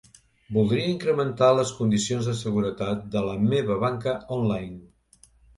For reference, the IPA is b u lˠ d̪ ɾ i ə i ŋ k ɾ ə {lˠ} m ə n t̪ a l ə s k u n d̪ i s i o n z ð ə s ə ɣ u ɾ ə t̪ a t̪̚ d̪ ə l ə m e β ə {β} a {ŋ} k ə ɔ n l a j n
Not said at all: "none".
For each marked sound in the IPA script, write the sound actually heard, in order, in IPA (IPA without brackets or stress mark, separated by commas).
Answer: none, β, ŋ